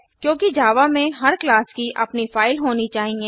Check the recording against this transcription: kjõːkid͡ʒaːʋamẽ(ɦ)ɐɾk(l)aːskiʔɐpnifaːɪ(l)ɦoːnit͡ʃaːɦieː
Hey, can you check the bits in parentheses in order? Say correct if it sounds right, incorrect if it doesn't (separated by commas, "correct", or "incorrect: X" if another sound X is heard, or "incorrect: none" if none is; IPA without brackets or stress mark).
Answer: correct, correct, correct